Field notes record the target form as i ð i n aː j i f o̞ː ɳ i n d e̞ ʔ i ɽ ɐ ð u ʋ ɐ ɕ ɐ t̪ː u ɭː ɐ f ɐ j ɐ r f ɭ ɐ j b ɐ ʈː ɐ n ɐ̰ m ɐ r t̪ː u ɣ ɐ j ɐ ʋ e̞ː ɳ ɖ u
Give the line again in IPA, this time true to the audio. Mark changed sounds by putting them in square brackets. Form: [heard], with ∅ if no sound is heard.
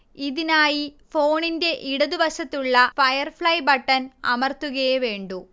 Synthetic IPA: i ð i n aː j i f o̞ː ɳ i n d e̞ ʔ i ɽ ɐ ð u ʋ ɐ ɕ ɐ t̪ː u ɭː ɐ f ɐ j ɐ r f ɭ ɐ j b ɐ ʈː ɐ n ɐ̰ m ɐ r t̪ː u ɣ ɐ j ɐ ʋ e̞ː ɳ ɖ u